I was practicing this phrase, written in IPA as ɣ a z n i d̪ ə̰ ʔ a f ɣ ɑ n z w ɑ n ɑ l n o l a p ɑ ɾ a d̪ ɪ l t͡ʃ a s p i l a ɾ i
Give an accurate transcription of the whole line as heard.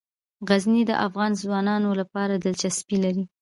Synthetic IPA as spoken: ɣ a z n i d̪ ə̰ ʔ a f ɣ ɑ n z w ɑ n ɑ n o l a p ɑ ɾ a d̪ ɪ l t͡ʃ a s p i l a ɾ i